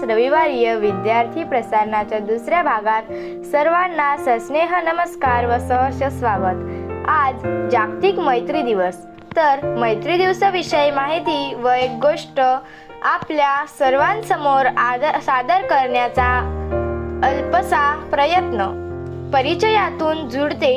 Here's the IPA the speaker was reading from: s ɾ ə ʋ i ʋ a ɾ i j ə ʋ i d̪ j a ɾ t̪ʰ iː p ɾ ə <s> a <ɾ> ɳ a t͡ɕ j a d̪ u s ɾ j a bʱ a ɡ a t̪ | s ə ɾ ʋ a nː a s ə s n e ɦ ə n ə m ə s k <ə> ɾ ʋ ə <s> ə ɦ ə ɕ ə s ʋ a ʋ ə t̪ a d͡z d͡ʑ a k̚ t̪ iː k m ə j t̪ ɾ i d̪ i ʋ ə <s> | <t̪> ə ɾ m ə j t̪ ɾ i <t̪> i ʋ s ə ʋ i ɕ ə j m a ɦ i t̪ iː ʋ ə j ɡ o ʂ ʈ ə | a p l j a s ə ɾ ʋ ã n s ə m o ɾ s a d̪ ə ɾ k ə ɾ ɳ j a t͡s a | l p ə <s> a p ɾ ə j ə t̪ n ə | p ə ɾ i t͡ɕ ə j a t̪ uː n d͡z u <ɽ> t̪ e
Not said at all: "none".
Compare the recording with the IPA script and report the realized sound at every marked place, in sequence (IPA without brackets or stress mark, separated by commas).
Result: s, ɾ, a, s, s, t̪, d̪, s, ɽ